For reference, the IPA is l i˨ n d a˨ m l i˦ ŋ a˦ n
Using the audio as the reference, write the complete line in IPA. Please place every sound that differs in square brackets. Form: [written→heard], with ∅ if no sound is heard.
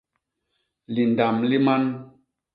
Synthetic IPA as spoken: l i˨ n d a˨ m l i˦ [ŋ→m] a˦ n